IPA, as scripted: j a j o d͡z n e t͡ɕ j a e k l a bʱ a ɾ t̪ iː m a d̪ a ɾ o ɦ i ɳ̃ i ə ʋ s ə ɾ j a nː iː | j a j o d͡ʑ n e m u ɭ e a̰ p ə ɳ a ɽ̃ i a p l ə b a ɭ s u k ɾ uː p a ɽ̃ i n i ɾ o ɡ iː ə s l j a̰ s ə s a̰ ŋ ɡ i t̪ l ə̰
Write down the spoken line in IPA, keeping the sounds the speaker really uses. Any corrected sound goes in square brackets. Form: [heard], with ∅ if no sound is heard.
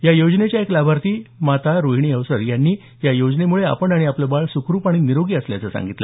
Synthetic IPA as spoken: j a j o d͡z n e t͡ɕ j a e k l a bʱ a ɾ t̪ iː m a [t̪] a ɾ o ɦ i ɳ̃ i ə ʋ s ə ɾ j a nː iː | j a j o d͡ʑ n e m u ɭ e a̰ p ə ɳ a ɽ̃ i a p l ə b a ɭ s u k ɾ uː p a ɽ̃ i n i ɾ o ɡ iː ə s l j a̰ [t͡s] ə s a̰ ŋ ɡ i t̪ l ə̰